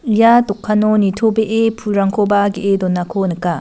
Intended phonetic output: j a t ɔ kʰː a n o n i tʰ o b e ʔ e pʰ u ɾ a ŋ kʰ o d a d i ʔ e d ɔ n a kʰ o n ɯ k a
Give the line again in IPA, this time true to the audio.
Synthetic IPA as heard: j a t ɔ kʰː a n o n i tʰ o b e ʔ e pʰ u ɾ a ŋ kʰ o b a ɡ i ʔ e d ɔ n a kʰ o n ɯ k a